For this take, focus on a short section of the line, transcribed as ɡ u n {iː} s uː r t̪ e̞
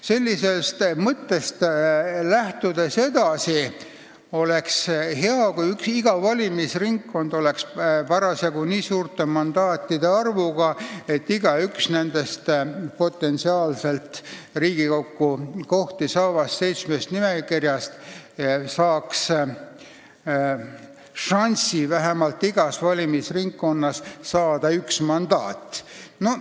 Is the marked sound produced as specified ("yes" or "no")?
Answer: yes